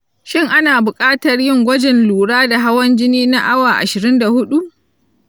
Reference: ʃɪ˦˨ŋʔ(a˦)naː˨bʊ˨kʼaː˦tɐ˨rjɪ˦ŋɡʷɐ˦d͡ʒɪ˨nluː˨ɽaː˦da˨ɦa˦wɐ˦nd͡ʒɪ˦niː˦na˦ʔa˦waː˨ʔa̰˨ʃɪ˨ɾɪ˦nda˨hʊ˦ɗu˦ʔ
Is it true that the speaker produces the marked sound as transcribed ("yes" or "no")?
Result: yes